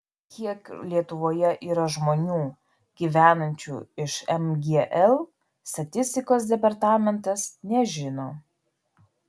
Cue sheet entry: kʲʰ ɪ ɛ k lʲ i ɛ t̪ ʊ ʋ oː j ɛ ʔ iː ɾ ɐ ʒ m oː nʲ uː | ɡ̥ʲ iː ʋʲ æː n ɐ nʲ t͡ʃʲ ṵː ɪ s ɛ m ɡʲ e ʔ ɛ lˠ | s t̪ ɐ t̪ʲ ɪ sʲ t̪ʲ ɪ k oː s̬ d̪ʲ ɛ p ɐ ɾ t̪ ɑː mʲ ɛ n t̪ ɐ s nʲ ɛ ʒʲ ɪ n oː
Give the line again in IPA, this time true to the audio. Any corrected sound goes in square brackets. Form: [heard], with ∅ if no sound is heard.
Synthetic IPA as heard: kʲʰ [i] ɛ k lʲ i ɛ t̪ ʊ ʋ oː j ɛ ʔ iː ɾ ɐ ʒ m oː nʲ uː | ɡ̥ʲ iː ʋʲ æː n ɐ nʲ t͡ʃʲ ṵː ɪ [ʃ] ɛ m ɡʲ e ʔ ɛ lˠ | s t̪ ɐ t̪ʲ ɪ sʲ t̪ʲ ɪ k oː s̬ d̪ʲ ɛ p ɐ ɾ t̪ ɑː mʲ ɛ n t̪ ɐ s nʲ ɛ ʒʲ ɪ n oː